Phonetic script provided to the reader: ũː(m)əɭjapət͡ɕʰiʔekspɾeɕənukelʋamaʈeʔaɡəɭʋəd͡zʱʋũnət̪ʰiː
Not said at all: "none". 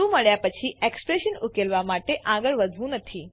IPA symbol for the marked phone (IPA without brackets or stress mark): m